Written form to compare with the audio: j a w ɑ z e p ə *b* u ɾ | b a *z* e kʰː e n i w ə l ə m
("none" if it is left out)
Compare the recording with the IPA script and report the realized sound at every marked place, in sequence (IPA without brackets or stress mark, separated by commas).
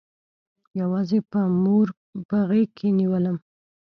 m, ɣ